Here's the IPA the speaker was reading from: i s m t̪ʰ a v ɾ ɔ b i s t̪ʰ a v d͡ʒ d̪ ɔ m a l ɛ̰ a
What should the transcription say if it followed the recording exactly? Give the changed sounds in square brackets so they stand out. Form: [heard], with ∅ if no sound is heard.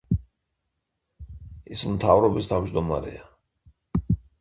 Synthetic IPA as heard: i s m t̪ʰ a v ɾ ɔ b i s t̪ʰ a v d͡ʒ d̪ ɔ m a [ɾ] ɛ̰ a